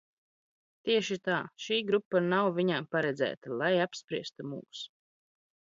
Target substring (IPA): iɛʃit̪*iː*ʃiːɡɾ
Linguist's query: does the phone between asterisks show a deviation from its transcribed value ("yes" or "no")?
yes